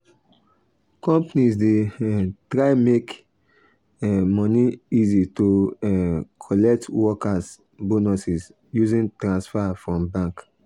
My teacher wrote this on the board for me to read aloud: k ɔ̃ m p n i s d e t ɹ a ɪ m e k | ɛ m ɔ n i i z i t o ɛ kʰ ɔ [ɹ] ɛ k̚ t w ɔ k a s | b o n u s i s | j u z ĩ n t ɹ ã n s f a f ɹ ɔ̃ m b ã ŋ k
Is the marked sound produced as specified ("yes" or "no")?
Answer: no